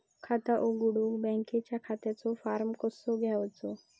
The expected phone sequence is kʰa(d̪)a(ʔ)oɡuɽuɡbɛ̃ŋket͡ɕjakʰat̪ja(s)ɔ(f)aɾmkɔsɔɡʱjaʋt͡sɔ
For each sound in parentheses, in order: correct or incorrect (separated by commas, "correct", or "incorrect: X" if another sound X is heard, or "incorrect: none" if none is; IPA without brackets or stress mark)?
incorrect: t̪, correct, incorrect: t͡s, correct